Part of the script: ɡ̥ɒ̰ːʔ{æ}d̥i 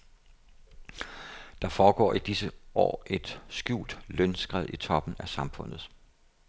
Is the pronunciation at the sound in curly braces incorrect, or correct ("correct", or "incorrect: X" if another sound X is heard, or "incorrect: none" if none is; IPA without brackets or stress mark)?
incorrect: i